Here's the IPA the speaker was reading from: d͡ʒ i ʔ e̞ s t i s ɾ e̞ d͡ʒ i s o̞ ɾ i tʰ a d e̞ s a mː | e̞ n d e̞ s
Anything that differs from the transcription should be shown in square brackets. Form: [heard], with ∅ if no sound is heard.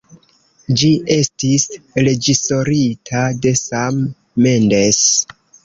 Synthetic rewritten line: d͡ʒ i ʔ e̞ s t i s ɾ e̞ d͡ʒ i s o̞ ɾ i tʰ a d e̞ s a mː | e̞ n d e̞ s